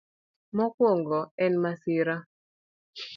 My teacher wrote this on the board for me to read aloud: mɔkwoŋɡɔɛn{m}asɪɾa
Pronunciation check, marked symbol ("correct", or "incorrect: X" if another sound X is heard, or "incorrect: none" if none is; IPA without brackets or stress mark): correct